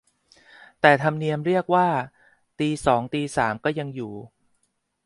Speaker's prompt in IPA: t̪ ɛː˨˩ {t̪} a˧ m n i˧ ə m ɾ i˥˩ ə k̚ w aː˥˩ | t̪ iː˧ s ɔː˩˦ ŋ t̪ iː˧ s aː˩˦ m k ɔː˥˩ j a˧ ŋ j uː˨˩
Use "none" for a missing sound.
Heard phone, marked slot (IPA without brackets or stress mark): t̪ʰ